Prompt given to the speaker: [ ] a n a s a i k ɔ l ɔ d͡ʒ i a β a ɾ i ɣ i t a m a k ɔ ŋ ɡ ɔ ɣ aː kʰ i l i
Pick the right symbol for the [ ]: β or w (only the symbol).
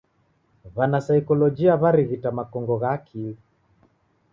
β